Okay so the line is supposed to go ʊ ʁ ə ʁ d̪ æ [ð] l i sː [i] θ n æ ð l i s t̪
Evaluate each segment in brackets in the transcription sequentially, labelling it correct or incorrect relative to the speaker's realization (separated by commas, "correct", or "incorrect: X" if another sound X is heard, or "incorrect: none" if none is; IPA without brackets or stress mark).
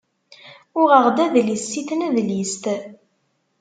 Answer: correct, correct